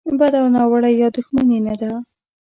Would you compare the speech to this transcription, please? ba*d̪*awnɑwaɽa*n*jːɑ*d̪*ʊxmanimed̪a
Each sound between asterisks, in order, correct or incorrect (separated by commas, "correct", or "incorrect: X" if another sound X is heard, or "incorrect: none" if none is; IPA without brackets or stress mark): correct, incorrect: none, correct